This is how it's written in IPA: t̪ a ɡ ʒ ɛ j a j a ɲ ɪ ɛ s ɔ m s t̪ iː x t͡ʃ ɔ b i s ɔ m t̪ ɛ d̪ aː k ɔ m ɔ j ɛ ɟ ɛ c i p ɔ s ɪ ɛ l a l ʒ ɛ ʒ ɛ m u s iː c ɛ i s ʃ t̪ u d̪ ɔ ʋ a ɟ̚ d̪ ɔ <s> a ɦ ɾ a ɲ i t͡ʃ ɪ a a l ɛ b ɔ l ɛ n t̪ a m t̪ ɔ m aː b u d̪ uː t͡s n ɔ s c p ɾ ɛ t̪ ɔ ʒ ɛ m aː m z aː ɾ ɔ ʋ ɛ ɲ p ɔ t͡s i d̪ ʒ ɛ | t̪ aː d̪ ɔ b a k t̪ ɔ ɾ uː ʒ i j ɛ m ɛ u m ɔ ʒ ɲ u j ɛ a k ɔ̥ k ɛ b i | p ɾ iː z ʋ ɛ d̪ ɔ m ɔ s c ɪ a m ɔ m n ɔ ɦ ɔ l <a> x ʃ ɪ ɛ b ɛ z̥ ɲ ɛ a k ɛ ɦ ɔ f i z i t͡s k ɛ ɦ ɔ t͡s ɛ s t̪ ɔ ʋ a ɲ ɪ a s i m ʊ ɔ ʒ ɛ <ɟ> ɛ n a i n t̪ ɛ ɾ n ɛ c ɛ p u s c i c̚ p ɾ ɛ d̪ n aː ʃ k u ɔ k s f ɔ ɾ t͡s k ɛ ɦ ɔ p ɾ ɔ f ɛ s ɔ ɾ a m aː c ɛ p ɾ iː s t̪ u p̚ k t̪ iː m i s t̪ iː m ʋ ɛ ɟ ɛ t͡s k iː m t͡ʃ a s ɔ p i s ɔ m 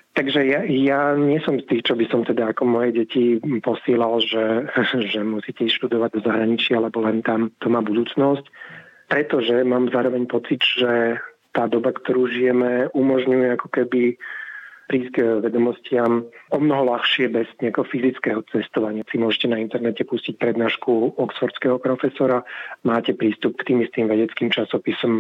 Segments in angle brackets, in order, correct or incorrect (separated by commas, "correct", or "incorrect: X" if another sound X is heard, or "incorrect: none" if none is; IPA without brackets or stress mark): incorrect: z, correct, incorrect: c